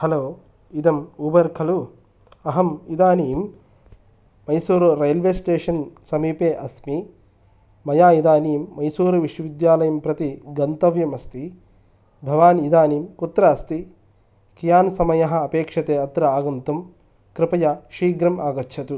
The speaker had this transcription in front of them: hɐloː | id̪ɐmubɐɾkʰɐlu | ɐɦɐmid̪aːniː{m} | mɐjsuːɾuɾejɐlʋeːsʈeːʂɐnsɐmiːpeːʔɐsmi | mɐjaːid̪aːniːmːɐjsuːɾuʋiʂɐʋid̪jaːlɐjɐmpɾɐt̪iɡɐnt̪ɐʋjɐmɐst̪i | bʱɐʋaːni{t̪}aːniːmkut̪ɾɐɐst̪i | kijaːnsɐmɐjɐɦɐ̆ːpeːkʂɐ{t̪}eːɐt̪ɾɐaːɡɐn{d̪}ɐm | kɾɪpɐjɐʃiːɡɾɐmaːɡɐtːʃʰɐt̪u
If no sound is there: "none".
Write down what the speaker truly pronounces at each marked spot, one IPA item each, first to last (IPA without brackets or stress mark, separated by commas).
m, d̪, t̪, t̪